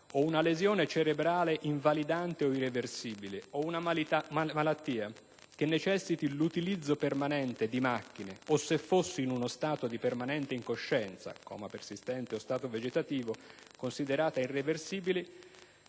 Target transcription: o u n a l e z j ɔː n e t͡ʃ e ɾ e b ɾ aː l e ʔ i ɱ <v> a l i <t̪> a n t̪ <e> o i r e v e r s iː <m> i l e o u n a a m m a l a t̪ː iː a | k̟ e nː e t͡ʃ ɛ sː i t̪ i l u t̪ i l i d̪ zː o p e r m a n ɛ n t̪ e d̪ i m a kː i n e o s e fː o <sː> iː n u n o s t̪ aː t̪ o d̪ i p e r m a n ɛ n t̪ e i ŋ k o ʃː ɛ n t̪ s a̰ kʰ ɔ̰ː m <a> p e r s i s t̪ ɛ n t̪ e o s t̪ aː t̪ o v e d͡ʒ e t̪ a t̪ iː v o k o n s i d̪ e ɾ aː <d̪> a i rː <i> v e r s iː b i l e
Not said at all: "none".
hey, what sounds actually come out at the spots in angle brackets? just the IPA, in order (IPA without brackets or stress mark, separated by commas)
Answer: v, d̪, e, b, sː, a, t̪, e